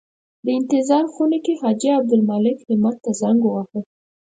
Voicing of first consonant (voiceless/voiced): voiced